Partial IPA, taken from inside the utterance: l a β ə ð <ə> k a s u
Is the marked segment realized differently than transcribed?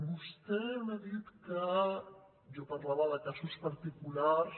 no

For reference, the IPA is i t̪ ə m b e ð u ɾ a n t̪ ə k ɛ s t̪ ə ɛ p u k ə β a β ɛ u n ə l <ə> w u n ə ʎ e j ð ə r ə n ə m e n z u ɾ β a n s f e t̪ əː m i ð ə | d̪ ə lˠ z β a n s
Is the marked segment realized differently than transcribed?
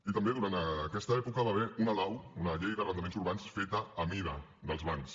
yes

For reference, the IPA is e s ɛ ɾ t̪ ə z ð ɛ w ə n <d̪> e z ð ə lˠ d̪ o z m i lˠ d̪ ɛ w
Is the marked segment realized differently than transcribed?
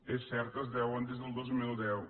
no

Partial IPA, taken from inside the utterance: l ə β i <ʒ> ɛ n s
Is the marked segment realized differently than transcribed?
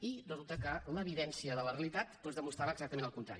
yes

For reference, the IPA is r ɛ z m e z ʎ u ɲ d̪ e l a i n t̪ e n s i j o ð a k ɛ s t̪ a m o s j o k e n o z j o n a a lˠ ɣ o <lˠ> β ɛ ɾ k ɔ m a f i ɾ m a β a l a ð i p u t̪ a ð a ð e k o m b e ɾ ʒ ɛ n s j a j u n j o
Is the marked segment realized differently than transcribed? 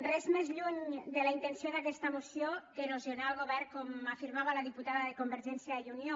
yes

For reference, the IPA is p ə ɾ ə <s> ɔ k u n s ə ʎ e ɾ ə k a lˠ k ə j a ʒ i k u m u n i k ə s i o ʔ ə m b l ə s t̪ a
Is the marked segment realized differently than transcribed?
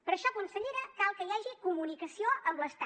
yes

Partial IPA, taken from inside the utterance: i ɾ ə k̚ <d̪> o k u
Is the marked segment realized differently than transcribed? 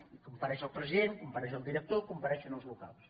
yes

